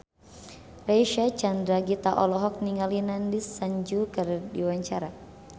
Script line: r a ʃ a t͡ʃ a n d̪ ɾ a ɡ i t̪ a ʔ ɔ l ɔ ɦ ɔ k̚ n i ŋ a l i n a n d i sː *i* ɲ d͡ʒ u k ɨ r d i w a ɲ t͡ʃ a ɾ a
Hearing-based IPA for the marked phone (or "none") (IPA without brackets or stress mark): a